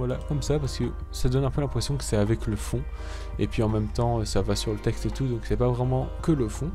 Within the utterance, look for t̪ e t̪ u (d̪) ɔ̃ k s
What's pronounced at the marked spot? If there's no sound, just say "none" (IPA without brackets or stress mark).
d̪